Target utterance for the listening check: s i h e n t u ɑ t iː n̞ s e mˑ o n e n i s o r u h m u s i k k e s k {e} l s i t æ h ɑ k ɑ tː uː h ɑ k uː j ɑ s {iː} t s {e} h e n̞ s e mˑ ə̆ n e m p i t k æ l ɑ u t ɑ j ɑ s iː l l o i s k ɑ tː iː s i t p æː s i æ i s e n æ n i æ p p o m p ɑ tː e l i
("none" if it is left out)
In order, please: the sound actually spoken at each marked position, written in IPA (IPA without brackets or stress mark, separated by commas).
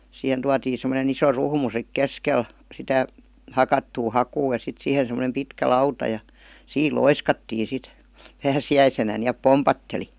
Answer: e, i, i